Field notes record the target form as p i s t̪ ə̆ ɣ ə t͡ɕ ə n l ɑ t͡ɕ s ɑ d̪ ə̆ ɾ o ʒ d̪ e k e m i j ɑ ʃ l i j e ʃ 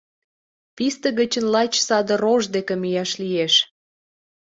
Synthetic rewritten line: p i s t̪ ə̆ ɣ ə t͡ɕ ə n l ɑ t͡ɕ s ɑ d̪ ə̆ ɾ o ʒ d̪ e k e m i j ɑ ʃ l i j e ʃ